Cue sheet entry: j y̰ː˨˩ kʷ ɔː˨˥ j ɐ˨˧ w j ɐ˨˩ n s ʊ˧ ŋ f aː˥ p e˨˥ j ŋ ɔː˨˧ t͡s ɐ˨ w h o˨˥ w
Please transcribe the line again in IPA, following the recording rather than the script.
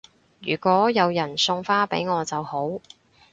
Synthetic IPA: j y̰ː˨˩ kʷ ɔː˨˥ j ɐ˨˧ w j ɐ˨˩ n s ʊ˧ ŋ f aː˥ p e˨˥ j ŋ ɔː˨˧ t͡s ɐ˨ w h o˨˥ w